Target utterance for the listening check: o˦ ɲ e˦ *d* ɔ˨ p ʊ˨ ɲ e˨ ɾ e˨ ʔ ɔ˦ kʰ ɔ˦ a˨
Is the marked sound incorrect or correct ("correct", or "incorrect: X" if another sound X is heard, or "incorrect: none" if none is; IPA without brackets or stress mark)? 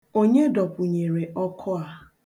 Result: correct